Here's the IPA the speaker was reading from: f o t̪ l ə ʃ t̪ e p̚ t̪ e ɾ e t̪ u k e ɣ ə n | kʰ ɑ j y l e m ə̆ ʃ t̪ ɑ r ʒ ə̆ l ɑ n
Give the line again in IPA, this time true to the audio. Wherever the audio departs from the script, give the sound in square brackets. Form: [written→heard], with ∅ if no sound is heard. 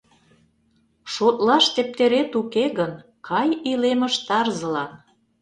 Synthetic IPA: [f→ʃ] o t̪ l [ə→ɑ] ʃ t̪ e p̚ t̪ e ɾ e t̪ u k e ɣ ə n | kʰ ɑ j [y→i] l e m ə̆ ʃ t̪ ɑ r [ʒ→z] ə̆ l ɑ n